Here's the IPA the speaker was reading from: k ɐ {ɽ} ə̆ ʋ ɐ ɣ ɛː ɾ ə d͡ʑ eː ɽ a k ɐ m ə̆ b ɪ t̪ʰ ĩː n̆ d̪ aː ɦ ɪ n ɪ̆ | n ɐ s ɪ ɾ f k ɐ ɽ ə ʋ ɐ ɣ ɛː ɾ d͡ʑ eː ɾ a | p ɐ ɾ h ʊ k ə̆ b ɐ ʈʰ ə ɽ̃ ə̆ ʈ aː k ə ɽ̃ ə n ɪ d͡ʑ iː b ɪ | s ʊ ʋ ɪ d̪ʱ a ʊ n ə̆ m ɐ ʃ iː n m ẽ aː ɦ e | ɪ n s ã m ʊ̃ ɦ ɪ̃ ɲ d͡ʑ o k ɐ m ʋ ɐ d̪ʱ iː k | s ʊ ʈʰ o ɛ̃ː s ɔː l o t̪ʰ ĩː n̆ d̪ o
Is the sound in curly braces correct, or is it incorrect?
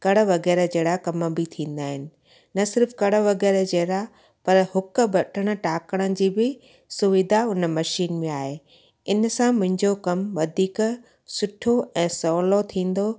correct